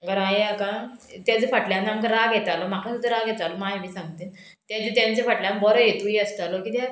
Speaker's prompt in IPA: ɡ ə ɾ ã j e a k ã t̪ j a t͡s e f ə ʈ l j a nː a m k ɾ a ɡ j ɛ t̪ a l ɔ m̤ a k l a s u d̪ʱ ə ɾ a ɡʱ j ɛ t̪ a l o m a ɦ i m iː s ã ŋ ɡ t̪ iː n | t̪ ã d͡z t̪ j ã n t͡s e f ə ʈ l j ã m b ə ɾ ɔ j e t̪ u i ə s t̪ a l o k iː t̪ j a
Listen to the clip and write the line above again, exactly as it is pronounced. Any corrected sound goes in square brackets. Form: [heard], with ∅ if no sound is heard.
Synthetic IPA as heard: ɡ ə ɾ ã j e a k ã t̪ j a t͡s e f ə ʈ l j a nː a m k ɾ a ɡ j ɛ t̪ a l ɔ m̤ a k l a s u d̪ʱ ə ɾ a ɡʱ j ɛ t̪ a l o m a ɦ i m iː s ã ŋ ɡ t̪ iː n | t̪ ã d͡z t̪ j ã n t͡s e f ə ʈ l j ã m b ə ɾ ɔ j e t̪ u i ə s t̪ a l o k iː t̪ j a